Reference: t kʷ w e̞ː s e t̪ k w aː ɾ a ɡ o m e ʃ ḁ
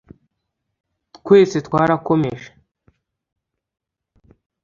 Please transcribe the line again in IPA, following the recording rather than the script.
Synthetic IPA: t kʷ w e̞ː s e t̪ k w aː ɾ a k o m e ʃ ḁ